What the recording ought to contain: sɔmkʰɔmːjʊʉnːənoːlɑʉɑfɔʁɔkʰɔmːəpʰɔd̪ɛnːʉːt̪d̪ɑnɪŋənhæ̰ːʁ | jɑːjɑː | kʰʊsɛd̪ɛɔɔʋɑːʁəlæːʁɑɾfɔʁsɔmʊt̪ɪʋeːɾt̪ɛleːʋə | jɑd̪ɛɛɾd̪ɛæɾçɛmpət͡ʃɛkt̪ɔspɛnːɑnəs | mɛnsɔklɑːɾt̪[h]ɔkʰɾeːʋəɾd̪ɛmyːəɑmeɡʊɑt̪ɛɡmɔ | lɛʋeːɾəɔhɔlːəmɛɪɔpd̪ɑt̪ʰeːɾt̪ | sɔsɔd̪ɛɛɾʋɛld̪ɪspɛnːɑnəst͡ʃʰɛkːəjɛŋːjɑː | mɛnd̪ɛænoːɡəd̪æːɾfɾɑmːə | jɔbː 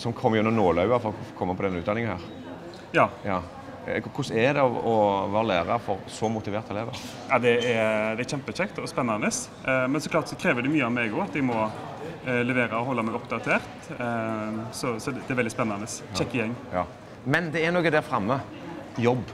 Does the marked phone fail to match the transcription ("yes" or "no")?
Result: yes